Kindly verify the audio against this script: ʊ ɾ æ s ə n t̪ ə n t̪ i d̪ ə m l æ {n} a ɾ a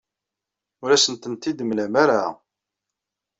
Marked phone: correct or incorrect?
incorrect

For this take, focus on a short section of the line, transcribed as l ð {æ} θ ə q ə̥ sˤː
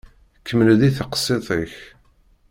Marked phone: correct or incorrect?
incorrect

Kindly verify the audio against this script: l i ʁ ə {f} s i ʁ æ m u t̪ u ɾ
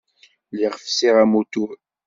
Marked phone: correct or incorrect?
correct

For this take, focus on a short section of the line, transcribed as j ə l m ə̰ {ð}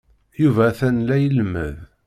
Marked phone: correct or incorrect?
correct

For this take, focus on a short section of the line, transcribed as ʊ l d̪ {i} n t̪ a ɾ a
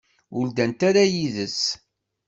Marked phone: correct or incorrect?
incorrect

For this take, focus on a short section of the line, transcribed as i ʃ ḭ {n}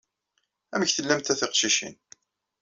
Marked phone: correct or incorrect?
correct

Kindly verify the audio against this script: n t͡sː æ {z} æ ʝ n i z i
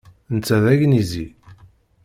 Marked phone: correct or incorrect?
incorrect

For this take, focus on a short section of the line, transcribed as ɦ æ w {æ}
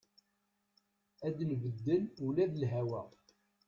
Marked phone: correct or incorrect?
correct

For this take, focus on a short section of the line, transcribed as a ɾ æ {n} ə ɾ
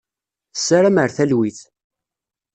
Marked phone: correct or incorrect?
incorrect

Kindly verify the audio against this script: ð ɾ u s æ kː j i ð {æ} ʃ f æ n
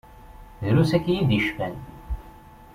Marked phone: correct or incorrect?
incorrect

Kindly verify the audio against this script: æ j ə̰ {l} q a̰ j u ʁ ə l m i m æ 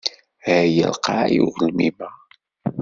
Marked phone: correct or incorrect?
correct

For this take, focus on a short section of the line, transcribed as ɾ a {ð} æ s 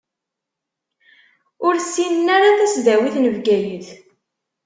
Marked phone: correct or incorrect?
incorrect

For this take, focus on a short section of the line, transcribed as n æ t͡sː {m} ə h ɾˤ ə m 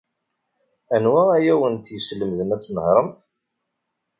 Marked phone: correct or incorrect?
incorrect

